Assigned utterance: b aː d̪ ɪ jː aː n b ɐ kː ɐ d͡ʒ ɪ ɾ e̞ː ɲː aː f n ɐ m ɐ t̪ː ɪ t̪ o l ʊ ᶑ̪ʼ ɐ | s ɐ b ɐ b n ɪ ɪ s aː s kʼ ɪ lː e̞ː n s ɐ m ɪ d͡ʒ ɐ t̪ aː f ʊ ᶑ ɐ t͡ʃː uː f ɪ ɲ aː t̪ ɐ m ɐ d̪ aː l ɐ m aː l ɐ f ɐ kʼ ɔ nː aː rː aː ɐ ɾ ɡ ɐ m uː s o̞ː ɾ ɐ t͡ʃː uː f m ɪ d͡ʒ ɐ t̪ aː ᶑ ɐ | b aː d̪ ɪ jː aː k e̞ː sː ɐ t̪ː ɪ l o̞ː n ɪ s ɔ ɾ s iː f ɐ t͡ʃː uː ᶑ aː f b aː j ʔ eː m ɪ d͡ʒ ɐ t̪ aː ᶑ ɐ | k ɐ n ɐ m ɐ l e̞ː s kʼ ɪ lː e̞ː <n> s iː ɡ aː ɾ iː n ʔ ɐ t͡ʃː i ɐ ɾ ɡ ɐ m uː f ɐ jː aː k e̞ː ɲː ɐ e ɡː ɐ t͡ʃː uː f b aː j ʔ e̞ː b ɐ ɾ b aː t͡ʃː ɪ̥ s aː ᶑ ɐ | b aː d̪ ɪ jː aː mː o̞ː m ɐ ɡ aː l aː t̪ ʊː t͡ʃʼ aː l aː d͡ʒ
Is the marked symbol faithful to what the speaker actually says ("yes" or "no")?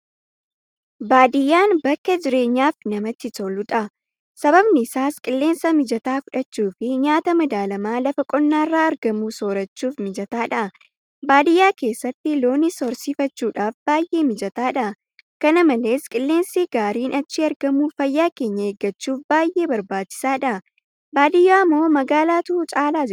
yes